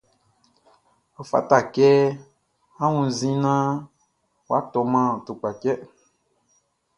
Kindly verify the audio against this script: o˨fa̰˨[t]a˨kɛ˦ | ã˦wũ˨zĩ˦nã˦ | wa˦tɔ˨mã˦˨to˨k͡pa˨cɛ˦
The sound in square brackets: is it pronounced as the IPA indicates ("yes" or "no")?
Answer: yes